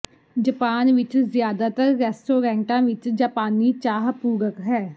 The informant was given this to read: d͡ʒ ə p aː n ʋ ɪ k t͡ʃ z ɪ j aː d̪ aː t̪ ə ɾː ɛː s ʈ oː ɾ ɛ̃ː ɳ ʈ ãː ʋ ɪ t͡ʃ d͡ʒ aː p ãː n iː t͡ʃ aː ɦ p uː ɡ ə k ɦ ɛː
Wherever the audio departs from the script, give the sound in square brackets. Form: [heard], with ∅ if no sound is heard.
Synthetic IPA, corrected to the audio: d͡ʒ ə p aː n ʋ ɪ [∅] t͡ʃ z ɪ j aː d̪ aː t̪ ə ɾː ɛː s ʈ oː ɾ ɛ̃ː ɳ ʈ ãː ʋ ɪ t͡ʃ d͡ʒ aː p [aː] n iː t͡ʃ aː ɦ p uː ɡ ə k ɦ ɛː